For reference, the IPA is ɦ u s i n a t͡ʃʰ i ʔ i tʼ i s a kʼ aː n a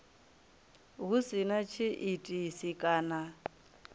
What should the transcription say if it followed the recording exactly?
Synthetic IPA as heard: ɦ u s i n a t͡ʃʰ i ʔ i tʼ i s i kʼ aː n a